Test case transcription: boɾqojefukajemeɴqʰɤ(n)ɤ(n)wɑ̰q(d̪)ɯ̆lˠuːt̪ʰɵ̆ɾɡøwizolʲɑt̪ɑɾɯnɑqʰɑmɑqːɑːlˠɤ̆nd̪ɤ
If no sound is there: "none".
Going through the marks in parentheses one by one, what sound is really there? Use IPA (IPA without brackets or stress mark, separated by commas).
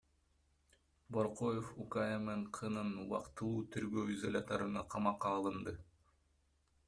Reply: n, n, t̪